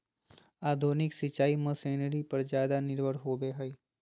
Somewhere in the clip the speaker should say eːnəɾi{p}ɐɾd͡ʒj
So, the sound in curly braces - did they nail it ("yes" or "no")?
yes